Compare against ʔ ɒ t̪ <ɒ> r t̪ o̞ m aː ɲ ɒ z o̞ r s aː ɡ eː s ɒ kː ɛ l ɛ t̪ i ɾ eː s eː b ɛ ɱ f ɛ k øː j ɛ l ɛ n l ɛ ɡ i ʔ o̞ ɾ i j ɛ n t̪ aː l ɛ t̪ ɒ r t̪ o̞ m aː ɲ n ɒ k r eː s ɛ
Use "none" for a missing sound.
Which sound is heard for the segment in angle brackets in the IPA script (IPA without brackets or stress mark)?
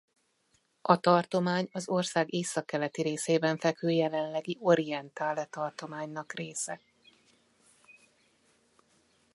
ɒ